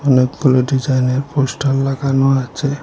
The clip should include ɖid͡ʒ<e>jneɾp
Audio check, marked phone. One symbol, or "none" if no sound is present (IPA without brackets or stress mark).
a